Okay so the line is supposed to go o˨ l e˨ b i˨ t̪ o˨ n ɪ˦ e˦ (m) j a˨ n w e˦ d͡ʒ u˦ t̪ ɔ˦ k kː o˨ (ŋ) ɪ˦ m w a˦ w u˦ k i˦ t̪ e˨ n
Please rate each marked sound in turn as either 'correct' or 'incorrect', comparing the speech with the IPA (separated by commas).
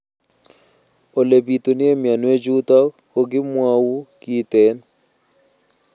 correct, incorrect